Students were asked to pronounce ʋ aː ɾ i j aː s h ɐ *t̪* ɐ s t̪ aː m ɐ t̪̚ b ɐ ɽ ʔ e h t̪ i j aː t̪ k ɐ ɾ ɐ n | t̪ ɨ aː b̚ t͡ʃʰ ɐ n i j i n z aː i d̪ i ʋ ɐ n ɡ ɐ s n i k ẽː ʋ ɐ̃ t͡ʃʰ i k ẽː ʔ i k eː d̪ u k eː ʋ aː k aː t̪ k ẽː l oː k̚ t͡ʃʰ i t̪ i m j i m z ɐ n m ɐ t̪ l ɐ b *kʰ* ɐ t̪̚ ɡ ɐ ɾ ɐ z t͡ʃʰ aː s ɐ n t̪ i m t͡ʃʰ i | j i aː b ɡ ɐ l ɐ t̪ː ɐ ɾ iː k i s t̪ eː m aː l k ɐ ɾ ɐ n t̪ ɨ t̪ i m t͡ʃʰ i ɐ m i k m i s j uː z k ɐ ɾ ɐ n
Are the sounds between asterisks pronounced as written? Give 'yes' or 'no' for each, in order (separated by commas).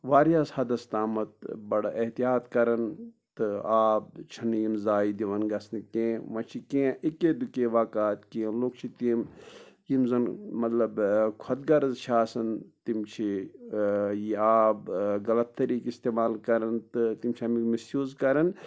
no, yes